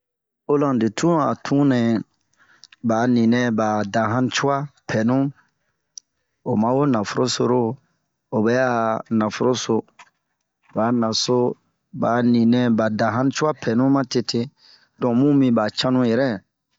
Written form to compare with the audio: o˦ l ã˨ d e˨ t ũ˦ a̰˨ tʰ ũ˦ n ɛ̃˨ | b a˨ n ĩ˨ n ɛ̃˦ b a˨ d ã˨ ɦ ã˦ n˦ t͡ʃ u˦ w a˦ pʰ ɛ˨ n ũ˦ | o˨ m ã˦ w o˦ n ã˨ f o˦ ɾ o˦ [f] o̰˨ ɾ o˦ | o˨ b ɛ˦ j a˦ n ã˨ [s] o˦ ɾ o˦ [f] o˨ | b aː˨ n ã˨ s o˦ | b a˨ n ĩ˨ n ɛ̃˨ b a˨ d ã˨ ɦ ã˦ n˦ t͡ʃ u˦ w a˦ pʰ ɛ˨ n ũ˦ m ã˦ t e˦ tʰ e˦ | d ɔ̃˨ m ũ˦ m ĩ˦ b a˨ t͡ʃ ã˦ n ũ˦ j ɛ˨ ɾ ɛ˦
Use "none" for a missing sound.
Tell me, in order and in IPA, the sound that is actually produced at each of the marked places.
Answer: s, f, s

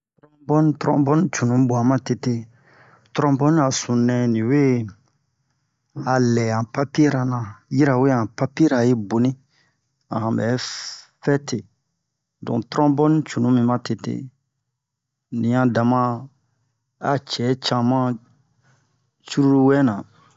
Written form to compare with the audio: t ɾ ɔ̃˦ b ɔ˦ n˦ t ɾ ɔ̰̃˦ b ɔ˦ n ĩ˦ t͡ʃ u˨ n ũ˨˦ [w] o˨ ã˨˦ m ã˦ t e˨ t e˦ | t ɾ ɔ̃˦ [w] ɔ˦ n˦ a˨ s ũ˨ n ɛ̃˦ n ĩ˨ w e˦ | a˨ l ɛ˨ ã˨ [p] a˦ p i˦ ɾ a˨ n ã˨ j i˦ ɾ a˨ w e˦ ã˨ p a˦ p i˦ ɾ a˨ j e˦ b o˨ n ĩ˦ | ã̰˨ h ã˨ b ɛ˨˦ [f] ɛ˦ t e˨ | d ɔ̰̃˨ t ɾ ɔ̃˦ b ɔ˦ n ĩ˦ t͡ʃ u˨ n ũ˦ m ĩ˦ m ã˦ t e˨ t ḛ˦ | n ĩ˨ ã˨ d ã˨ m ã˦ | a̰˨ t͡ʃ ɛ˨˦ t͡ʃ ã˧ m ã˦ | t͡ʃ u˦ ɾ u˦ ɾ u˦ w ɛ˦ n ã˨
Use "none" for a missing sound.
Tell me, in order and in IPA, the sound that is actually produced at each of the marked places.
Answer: b, b, p, f

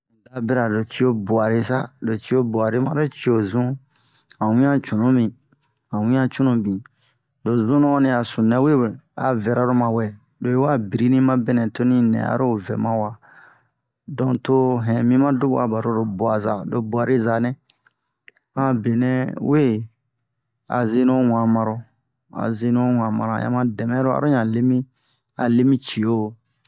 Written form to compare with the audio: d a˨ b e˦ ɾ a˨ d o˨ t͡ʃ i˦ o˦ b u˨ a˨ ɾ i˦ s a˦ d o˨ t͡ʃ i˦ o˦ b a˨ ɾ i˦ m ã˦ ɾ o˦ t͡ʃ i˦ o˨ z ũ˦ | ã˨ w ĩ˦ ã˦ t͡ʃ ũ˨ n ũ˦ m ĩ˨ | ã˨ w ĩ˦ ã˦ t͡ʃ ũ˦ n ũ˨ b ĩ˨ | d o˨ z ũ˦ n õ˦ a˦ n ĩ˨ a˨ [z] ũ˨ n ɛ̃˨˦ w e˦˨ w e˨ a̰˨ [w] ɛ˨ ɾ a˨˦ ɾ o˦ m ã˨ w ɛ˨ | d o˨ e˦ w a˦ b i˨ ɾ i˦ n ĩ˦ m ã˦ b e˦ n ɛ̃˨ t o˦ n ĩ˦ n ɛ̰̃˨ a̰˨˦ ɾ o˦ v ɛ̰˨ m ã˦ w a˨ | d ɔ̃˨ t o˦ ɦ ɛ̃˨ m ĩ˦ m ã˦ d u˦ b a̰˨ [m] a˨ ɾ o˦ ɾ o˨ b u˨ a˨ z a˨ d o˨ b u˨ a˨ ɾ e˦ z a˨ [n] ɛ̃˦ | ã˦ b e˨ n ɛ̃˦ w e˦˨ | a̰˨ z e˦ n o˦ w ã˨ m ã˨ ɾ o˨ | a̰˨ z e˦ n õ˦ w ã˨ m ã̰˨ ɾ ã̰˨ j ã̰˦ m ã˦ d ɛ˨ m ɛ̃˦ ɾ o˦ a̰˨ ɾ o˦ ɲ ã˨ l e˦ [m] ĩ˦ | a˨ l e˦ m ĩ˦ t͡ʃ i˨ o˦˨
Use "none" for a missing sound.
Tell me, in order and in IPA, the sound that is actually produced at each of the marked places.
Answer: s, v, b, n, m

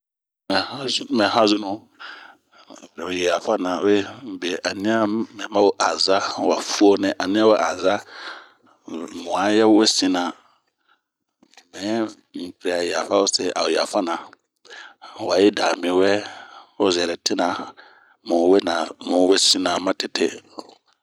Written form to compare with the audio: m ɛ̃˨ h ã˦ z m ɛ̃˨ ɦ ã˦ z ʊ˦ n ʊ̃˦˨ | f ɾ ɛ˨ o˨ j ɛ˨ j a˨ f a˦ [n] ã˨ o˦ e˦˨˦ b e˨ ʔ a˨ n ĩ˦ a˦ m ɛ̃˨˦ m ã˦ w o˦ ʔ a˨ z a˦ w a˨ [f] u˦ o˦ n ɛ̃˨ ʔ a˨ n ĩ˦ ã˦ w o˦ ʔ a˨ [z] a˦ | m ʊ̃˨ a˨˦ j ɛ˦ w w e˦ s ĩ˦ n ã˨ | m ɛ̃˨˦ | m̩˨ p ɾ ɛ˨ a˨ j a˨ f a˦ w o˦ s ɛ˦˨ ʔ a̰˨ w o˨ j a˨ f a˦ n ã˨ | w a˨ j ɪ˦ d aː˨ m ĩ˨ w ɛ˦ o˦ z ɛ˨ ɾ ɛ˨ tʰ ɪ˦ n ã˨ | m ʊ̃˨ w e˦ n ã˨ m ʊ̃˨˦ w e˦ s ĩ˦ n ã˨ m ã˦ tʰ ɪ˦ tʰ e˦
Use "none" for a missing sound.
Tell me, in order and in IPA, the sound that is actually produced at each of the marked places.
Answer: n, f, z

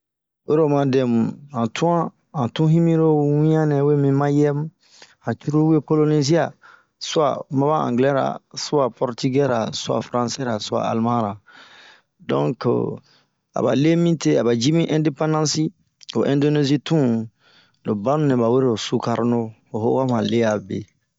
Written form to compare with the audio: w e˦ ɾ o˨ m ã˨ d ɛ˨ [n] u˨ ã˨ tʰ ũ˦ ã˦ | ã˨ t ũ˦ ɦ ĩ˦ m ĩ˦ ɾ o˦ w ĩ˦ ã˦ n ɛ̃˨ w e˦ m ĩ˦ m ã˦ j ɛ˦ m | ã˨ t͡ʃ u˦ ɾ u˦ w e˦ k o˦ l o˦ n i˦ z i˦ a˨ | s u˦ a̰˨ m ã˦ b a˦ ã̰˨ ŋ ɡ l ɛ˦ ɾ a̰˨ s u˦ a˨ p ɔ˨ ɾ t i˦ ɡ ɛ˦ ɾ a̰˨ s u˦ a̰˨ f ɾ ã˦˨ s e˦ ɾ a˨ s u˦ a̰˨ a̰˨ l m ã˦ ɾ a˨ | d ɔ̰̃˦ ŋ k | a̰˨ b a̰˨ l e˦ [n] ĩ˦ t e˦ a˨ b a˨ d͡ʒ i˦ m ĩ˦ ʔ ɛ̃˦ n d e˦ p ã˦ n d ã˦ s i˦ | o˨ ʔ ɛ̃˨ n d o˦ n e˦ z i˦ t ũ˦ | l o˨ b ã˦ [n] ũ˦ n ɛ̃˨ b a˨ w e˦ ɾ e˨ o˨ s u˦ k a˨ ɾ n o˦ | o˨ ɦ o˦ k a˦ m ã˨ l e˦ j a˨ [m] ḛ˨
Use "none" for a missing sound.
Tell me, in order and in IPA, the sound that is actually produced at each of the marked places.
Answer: m, m, n, b

